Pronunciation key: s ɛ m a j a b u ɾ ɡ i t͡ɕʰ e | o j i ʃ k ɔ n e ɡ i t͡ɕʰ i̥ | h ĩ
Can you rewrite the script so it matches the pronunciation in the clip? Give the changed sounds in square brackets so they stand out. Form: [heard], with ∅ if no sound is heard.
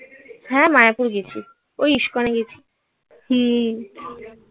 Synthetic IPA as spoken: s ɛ m a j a [p] u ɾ ɡ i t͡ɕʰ [i] | o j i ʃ k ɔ n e ɡ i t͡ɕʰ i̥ | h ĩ